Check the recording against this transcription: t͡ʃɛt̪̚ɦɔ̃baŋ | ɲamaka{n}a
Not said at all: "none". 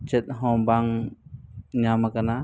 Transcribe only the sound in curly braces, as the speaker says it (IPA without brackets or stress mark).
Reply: n